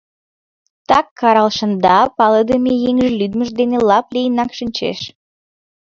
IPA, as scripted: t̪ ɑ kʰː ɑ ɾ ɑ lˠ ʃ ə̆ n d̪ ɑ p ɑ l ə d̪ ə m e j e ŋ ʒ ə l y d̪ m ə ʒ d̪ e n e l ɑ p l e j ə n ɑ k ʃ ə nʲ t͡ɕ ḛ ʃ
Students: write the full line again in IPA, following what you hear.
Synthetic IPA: t̪ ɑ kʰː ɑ ɾ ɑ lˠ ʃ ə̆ n d̪ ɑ p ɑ l ə d̪ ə m e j e ŋ ʒ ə l y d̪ m ə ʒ d̪ e n e l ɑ p l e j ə n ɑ k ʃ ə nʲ t͡ɕ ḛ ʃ